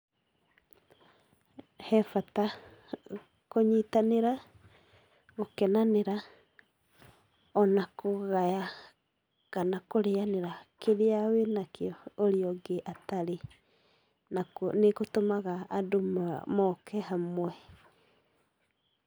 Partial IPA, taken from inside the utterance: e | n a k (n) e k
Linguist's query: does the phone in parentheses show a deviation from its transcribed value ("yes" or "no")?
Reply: no